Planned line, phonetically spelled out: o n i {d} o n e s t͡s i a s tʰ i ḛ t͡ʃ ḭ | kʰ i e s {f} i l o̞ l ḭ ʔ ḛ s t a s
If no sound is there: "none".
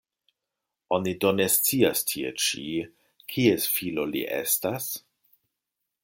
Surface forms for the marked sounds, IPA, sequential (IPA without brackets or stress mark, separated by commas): d, f